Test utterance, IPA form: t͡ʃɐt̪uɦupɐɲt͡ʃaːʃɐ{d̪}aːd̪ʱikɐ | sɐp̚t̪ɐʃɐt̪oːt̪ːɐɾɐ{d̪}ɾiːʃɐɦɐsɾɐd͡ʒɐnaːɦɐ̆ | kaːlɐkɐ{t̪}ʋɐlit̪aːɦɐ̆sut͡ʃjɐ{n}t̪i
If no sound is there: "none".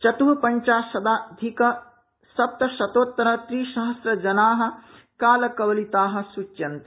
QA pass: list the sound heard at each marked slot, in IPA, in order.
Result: d̪, t̪, none, n

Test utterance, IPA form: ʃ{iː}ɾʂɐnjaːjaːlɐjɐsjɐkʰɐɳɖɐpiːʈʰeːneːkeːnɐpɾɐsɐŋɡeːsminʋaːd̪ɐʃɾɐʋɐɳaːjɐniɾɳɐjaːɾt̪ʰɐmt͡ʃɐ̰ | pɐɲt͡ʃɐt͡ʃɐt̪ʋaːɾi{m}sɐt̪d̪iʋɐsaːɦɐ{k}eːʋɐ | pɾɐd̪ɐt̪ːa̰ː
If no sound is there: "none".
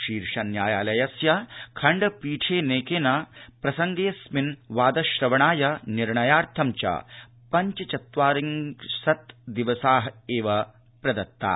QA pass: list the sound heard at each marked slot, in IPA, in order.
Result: iː, ŋ, none

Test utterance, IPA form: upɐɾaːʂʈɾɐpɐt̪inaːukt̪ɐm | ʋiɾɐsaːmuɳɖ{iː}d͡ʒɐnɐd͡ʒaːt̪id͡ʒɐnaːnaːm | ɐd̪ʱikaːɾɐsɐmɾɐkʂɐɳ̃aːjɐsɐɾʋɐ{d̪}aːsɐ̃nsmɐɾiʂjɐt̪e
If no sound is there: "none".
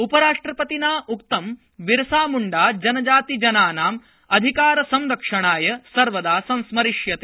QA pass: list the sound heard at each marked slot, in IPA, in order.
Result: aː, d̪

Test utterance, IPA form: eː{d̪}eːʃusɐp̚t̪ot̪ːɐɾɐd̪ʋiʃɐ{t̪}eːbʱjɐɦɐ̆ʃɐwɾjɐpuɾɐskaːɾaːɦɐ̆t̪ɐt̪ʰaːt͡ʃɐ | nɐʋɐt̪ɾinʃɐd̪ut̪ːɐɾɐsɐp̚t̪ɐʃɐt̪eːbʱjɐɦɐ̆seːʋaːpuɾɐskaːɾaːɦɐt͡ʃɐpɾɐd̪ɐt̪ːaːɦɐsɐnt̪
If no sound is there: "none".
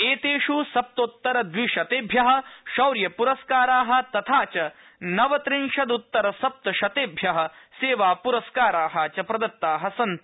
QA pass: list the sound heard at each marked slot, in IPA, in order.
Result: t̪, t̪

